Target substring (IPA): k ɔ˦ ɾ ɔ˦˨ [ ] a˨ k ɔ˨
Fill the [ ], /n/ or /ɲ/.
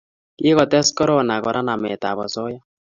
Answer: n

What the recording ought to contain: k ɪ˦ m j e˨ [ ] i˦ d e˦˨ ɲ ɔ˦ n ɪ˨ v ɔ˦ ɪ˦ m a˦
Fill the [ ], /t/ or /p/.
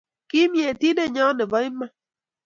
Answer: t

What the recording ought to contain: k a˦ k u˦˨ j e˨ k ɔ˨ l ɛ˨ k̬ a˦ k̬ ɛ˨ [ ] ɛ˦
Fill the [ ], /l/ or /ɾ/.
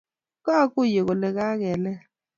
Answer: l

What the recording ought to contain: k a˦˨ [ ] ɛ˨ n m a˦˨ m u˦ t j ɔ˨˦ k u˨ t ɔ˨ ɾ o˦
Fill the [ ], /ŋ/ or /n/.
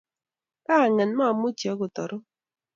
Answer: ŋ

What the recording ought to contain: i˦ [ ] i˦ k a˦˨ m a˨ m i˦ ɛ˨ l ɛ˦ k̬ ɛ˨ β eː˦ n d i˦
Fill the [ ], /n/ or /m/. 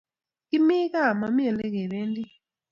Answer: m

